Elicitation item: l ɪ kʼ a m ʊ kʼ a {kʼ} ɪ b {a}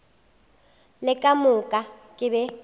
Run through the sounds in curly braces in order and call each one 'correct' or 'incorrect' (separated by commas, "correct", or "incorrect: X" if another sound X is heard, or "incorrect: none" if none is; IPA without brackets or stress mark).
correct, incorrect: ɛ